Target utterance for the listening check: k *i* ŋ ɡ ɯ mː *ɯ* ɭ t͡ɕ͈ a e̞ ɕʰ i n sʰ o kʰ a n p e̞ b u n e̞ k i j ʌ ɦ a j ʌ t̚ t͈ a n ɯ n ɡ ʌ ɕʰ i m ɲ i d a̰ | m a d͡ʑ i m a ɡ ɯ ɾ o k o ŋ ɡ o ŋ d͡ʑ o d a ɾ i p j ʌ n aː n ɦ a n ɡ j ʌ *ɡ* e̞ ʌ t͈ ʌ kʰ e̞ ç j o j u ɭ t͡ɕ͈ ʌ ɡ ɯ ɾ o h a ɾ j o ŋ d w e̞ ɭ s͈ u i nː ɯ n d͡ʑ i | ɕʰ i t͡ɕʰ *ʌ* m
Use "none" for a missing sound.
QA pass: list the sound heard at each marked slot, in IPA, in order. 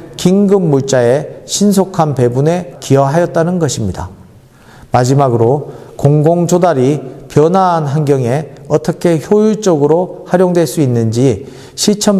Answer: i, u, ŋ, ʌ

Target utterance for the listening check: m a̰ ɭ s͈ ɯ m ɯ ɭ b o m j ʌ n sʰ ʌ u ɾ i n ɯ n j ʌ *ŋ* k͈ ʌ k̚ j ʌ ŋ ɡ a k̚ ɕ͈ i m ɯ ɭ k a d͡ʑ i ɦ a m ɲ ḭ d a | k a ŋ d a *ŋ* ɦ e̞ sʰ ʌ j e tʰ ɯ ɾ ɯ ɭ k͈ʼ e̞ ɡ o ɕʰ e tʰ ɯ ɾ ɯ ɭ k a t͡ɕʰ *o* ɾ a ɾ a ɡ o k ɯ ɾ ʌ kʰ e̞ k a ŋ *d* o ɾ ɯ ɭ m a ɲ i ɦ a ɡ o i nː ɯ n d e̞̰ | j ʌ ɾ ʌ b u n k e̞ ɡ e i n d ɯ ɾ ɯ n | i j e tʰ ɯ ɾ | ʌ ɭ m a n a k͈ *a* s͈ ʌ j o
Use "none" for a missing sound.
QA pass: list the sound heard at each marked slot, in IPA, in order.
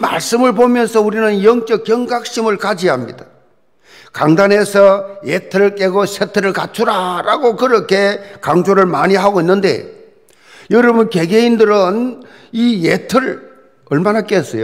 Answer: ŋ, n, u, d͡ʑ, e

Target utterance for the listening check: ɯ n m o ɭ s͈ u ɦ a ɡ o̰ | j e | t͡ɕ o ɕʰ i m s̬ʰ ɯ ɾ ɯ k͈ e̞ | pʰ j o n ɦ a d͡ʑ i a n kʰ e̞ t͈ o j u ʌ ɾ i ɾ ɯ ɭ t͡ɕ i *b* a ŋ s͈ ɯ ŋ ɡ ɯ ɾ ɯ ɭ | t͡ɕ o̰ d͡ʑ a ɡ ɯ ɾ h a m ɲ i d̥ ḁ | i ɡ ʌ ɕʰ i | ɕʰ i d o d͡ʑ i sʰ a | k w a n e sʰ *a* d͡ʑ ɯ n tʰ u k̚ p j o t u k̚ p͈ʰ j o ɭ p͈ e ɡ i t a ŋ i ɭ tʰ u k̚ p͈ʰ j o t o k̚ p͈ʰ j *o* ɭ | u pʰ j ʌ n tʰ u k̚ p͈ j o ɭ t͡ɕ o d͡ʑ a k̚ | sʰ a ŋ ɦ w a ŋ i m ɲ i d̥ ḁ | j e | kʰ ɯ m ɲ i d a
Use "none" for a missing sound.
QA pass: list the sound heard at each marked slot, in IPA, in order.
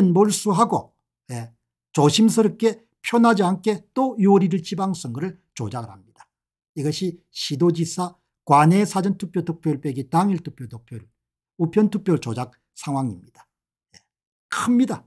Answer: b, a, o

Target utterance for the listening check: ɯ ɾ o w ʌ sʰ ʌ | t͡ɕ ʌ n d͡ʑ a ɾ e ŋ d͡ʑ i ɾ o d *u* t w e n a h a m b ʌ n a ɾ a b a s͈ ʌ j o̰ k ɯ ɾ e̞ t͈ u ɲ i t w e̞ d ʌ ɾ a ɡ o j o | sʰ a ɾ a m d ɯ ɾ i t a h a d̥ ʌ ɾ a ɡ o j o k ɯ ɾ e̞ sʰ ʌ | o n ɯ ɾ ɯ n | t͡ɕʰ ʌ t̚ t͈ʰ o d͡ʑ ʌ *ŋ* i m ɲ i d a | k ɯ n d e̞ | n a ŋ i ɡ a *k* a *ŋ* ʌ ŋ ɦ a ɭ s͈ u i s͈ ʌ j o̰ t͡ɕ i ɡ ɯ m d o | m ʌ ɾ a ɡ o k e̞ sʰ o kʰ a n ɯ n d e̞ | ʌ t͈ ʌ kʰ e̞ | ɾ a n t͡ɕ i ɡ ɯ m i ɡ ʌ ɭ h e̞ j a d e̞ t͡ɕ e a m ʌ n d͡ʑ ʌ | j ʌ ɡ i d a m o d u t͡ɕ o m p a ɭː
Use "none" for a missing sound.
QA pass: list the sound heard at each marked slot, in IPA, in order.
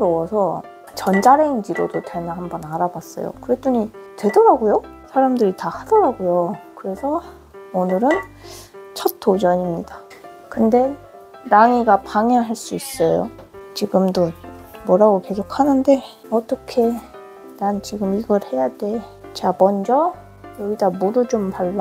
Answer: o, ɲ, p, ŋ

